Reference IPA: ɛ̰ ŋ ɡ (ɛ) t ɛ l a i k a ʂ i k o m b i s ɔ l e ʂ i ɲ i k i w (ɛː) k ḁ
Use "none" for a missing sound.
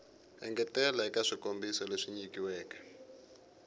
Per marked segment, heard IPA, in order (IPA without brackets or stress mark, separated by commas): ɛ, ɛː